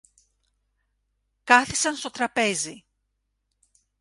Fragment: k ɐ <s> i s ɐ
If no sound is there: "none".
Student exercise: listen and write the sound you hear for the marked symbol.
θ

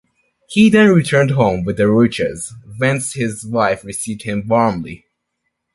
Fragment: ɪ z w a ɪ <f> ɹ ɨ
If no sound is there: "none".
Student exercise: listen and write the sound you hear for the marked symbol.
f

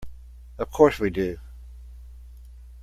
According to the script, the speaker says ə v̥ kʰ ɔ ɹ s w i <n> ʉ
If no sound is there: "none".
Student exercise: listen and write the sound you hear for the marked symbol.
d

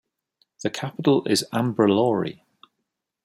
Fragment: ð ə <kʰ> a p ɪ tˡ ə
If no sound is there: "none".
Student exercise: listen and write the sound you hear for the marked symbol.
kʰ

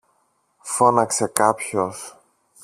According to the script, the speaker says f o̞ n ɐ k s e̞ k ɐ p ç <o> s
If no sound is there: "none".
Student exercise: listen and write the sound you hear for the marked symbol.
o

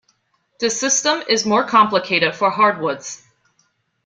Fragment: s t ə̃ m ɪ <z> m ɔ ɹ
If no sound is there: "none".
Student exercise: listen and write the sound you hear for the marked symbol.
z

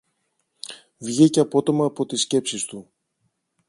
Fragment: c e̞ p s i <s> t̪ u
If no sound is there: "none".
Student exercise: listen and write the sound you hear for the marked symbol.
s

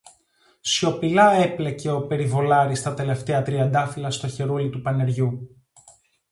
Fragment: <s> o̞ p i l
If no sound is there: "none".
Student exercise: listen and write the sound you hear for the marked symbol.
s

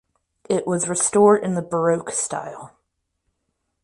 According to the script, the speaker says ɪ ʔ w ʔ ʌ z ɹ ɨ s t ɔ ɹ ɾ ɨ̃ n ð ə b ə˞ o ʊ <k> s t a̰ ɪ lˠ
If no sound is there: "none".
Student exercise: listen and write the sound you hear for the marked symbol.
k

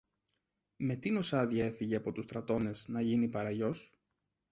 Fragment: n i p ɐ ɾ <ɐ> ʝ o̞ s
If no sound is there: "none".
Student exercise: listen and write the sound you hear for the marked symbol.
ɐ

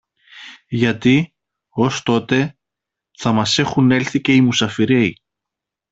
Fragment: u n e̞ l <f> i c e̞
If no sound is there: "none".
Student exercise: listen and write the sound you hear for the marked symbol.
θ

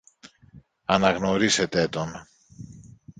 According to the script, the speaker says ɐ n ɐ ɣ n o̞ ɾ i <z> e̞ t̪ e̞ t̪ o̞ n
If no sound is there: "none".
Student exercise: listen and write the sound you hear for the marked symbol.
s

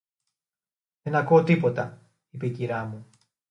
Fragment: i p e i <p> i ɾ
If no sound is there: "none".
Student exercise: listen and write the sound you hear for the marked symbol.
c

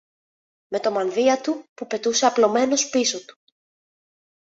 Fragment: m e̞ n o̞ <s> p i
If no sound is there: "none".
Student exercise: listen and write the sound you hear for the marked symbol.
s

